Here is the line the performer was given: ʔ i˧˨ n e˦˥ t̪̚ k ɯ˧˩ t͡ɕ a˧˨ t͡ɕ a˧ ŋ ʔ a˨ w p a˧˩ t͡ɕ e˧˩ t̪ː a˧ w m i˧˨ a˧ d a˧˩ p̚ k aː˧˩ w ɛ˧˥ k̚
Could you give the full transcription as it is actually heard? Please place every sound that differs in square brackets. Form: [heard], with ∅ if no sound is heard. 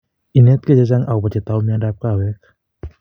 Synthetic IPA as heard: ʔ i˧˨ n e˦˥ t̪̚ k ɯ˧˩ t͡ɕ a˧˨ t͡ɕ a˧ ŋ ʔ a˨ w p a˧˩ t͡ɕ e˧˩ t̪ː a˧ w m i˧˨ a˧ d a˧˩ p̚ k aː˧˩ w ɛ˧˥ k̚